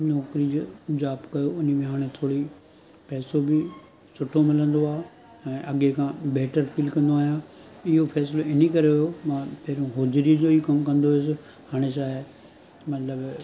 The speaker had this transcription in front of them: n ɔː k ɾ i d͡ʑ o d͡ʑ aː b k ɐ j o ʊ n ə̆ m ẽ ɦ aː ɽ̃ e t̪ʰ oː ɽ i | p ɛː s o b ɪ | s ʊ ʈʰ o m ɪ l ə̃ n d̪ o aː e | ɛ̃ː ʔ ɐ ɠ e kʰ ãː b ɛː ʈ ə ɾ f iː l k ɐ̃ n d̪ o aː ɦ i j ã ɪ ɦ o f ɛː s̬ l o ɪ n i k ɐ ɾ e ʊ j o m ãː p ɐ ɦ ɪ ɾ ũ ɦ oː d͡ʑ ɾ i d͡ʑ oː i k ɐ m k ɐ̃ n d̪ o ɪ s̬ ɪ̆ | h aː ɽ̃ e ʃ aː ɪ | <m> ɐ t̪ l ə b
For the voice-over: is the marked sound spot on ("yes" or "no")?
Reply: yes